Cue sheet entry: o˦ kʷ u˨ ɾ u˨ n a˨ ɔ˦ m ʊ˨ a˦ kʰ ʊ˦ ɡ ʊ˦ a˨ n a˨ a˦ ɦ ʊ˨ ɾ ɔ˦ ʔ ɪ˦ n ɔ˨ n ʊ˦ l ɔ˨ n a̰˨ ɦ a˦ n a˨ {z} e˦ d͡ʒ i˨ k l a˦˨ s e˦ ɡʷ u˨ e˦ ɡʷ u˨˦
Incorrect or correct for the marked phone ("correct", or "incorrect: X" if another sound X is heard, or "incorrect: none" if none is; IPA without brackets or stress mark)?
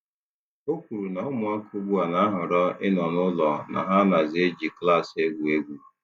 correct